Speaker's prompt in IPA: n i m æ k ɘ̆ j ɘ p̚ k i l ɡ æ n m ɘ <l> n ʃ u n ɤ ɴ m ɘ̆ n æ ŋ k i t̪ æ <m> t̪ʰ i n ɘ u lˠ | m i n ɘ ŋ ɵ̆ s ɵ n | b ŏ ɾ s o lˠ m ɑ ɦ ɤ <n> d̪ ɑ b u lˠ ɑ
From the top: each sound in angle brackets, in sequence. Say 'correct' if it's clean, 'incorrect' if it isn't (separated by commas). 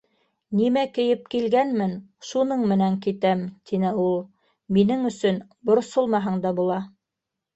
incorrect, correct, incorrect